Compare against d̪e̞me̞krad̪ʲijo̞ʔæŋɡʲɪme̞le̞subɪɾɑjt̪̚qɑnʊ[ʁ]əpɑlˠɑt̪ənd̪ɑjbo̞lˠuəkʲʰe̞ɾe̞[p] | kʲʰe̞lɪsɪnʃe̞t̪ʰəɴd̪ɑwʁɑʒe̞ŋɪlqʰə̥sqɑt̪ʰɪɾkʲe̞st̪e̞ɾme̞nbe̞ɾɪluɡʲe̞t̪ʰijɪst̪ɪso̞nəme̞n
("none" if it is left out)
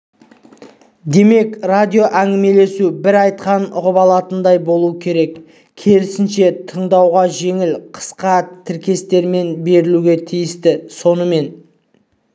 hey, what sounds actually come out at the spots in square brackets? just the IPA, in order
ʁ, k

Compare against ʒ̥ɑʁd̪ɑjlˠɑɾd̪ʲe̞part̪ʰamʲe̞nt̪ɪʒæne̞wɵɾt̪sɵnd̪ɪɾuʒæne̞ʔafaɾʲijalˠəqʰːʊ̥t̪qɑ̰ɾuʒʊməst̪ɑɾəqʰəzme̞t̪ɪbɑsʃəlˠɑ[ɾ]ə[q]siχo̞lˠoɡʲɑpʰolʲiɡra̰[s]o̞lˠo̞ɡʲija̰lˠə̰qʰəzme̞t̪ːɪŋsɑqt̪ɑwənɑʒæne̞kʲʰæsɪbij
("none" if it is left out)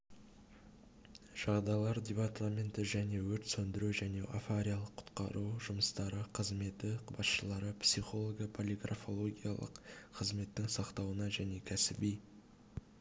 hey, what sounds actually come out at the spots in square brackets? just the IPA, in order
ɾ, p, f

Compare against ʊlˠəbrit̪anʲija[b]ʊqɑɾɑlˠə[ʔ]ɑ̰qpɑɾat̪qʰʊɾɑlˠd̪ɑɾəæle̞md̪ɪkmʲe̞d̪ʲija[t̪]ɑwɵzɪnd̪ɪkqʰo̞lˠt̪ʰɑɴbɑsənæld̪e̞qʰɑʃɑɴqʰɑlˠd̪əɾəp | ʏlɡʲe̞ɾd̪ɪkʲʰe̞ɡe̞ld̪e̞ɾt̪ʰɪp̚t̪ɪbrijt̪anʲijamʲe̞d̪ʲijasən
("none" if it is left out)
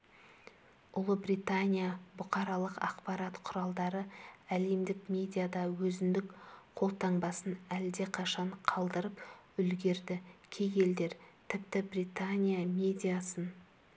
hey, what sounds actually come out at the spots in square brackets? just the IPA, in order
b, q, d̪

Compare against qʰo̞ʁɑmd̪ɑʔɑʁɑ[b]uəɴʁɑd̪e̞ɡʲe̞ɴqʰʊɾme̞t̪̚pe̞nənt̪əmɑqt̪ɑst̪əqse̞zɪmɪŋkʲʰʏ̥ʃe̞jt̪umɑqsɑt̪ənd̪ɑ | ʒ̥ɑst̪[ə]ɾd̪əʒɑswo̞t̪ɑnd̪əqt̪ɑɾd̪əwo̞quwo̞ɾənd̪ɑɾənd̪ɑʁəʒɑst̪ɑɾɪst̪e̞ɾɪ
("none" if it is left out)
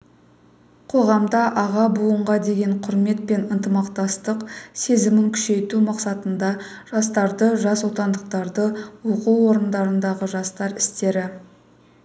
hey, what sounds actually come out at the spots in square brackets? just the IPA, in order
b, ɑ

